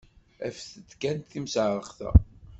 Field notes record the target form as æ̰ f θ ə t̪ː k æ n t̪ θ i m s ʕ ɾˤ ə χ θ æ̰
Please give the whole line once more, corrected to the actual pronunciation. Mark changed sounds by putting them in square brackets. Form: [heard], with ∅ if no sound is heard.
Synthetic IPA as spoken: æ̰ f θ ə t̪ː k æ n t̪ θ i m s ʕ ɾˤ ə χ θ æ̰